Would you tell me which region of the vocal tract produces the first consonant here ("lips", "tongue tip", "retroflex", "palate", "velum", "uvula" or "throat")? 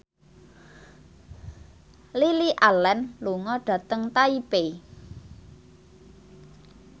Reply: tongue tip